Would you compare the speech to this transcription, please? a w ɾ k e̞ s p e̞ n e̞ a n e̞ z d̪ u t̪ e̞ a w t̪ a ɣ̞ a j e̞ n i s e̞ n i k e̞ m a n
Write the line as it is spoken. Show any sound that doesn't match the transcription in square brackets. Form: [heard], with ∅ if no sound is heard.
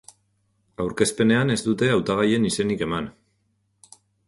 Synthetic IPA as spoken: a w ɾ k e̞ s p e̞ n e̞ a n e̞ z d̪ u t̪ e̞ a w t̪ a ɣ̞ a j e̞ n i s e̞ n i k e̞ m a n